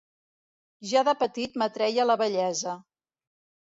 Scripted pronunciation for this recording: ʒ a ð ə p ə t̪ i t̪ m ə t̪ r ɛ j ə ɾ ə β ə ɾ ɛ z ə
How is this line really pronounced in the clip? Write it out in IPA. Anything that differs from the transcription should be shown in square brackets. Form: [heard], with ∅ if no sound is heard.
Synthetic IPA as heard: ʒ a ð ə p ə t̪ i t̪ m ə t̪ [ɾ] ɛ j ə [l] ə β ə [ʎ] ɛ z ə